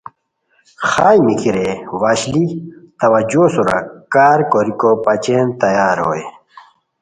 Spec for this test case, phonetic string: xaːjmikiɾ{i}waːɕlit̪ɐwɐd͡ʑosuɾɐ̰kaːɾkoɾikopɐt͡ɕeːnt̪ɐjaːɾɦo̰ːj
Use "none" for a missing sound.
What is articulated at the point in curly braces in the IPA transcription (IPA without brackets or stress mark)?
e